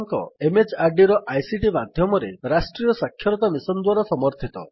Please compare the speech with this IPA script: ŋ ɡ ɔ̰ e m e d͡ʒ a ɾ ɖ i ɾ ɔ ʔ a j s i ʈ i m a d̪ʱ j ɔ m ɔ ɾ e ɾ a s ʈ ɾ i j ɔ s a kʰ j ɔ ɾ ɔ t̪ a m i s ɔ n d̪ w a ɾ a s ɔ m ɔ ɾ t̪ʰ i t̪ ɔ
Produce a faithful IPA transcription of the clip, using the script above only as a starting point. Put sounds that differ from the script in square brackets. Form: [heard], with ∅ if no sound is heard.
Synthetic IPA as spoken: ŋ [k] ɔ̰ e m e d͡ʒ a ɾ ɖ i ɾ ɔ ʔ a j s i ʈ i m a d̪ʱ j ɔ m ɔ ɾ e ɾ a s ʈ ɾ i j ɔ s a kʰ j ɔ ɾ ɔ t̪ a m i s ɔ n d̪ w a ɾ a s ɔ m ɔ ɾ t̪ʰ i t̪ ɔ